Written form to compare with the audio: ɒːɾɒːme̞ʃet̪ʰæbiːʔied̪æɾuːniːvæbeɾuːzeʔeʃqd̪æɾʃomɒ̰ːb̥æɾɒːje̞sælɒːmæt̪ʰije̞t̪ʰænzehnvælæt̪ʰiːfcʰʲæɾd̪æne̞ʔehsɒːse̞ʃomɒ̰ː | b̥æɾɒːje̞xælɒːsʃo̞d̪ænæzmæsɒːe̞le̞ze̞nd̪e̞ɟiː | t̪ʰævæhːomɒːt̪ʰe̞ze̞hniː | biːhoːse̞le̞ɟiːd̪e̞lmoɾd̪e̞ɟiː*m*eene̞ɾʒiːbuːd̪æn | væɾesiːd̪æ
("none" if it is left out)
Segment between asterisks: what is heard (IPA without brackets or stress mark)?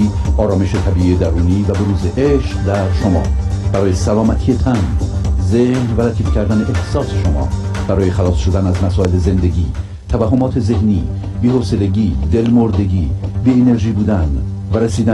b